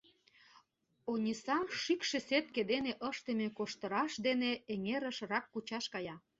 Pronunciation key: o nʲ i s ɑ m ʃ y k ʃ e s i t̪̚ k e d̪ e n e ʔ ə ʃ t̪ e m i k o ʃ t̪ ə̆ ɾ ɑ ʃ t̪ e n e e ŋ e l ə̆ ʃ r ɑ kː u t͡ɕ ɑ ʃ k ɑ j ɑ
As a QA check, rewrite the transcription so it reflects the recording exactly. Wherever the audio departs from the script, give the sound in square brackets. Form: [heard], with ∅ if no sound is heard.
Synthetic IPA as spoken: o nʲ i s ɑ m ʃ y k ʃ e s [e] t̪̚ k e d̪ e n e ʔ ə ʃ t̪ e m [e] k o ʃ t̪ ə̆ ɾ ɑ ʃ [d̪] e n e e ŋ e [ɾ] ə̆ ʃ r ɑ kː u t͡ɕ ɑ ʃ k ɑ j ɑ

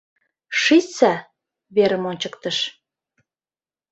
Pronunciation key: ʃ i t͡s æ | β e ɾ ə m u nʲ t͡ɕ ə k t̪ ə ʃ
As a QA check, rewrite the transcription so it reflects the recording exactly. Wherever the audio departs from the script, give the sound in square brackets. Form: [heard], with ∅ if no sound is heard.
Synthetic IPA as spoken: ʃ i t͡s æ | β e ɾ ə m [o] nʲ t͡ɕ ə k t̪ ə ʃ

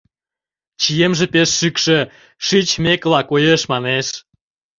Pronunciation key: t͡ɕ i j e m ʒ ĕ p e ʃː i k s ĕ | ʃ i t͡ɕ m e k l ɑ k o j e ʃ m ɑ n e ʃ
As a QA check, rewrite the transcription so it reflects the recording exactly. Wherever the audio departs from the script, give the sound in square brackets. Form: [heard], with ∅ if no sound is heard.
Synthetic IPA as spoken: t͡ɕ i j e m ʒ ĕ p e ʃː [y] k [ʃ] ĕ | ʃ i t͡ɕ m e k l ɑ k o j e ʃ m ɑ n e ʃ

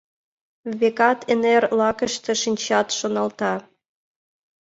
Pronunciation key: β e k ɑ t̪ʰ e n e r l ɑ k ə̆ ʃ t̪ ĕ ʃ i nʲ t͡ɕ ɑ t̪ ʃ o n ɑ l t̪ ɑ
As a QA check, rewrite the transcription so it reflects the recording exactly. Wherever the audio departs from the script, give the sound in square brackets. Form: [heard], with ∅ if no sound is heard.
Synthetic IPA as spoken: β e k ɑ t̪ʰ e n e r l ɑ k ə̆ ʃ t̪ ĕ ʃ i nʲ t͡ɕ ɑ t̪ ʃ o n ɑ l t̪ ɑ

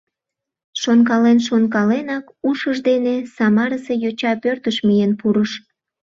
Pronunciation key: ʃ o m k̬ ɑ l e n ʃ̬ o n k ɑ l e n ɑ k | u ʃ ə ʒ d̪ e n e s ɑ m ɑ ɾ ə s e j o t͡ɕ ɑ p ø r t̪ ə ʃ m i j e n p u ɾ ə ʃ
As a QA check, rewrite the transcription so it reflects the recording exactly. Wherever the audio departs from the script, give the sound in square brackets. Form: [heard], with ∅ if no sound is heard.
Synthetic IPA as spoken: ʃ o [n] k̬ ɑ l e n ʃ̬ o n k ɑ l e n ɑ k | u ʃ ə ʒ d̪ e n e s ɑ m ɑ ɾ ə s e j o t͡ɕ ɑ p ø r t̪ ə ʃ m i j e n p u ɾ ə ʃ

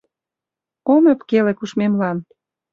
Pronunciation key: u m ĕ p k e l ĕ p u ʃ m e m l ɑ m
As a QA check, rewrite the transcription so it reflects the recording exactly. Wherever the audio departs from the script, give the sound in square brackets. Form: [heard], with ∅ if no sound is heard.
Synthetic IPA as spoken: [o] m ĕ p k e l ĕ [k] u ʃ m e m l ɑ [n]

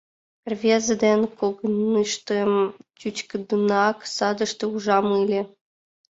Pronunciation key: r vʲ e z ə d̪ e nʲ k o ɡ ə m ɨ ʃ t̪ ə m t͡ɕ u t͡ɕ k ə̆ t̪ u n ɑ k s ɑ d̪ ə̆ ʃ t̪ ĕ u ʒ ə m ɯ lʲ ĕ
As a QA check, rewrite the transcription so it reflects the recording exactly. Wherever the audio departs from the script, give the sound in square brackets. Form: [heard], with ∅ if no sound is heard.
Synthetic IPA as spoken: r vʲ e z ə d̪ e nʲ k o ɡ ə [n] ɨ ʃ t̪ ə m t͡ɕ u t͡ɕ k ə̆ [d̪] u n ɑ k s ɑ d̪ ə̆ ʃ t̪ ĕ u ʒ [ɑ] m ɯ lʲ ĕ

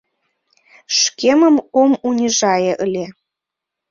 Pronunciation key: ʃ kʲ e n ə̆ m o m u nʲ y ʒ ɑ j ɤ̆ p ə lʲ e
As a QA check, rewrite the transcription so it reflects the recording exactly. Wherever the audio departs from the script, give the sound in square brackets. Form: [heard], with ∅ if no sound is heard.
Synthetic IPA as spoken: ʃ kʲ e [m] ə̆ m o m u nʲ [i] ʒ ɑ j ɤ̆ [ʔ] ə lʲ e

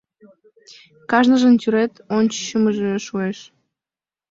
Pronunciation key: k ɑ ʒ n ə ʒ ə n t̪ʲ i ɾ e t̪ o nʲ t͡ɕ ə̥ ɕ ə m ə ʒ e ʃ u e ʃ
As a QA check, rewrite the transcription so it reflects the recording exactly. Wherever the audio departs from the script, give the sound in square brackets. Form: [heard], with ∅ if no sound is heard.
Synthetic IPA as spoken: k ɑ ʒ n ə ʒ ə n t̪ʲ [y] ɾ e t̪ o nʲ t͡ɕ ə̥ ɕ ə m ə ʒ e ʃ u e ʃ

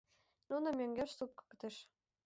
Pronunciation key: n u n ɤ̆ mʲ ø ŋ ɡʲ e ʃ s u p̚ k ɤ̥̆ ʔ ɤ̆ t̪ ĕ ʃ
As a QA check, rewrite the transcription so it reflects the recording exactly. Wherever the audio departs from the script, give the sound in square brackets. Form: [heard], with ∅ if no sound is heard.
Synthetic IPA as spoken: n u n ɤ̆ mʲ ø ŋ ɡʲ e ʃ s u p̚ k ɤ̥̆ [k] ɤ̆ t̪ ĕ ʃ

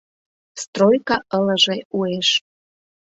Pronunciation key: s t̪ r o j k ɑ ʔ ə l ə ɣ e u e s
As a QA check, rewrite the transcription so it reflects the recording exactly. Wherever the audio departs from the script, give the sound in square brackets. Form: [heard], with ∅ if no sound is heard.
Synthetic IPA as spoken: s t̪ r o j k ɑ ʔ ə l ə [ʒ] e u e [ʃ]

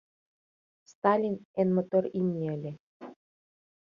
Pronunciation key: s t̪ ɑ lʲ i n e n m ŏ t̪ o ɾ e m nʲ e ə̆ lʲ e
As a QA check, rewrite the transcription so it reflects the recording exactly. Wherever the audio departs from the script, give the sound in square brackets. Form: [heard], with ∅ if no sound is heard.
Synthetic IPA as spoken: s t̪ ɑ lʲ i n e n m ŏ t̪ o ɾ [i] m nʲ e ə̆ lʲ e

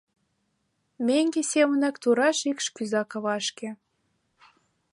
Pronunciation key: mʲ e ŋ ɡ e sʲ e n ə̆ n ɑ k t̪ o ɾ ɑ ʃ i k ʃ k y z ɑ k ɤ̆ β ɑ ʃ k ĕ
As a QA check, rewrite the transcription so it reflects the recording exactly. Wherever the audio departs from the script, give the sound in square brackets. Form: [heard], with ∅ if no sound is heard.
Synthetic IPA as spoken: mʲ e ŋ ɡ e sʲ e [m] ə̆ n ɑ k t̪ [u] ɾ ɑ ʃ i k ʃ k y z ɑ k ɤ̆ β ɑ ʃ k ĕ

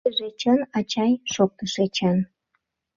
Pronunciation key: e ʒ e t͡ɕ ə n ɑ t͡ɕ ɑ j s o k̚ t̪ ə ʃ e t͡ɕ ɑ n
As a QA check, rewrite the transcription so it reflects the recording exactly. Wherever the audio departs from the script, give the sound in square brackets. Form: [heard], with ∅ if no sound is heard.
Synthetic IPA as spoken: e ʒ e t͡ɕ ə n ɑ t͡ɕ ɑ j [ʃ] o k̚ t̪ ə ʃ e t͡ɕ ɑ n

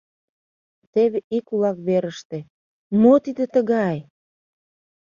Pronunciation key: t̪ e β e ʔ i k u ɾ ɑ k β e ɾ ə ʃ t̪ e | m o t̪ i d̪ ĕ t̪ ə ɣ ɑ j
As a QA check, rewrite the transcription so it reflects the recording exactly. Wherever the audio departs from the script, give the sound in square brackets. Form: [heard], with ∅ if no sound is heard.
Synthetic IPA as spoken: t̪ e β e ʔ i k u [l] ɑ k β e ɾ ə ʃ t̪ e | m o t̪ i d̪ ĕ t̪ ə ɣ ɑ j

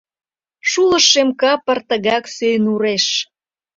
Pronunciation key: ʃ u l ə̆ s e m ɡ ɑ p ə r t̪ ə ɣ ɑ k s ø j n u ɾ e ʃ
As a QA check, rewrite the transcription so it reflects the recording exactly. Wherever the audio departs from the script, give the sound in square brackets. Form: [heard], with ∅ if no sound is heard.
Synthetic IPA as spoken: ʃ u l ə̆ [ʃ] e m [k] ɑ p ə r t̪ ə ɣ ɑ k s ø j n u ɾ e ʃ

